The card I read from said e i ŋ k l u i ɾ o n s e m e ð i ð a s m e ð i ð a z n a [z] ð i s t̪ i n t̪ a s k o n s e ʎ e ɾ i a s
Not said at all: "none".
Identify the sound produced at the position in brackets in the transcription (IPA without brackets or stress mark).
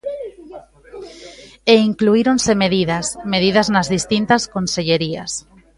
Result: z